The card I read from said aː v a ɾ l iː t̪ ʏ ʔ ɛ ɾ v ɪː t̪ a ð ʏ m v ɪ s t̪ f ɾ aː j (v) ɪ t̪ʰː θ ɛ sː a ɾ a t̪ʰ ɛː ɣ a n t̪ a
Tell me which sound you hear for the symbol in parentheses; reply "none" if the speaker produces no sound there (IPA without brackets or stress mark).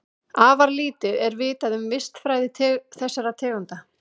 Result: ð